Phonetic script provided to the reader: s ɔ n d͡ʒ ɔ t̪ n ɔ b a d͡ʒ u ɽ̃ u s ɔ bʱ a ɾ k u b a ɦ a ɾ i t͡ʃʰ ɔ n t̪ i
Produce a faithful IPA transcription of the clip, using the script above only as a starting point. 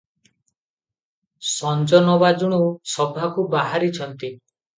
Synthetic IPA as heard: s ɔ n d͡ʒ ɔ n ɔ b a d͡ʒ u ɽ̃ u s ɔ bʱ a k u b a ɦ a ɾ i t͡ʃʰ ɔ n t̪ i